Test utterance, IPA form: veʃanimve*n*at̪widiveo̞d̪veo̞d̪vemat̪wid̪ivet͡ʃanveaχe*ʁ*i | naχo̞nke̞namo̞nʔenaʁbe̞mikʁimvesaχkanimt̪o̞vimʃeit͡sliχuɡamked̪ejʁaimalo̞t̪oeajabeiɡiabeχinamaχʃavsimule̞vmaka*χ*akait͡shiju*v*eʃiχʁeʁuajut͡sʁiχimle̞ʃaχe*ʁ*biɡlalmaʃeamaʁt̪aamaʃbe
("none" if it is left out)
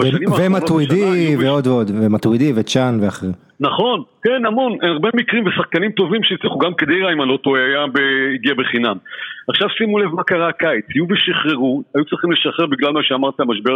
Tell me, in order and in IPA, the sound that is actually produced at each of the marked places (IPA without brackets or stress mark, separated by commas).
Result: m, ʁ, ʁ, v, ʁ